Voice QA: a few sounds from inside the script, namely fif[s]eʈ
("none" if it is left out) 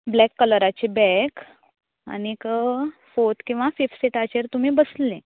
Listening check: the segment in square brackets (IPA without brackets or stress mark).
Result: s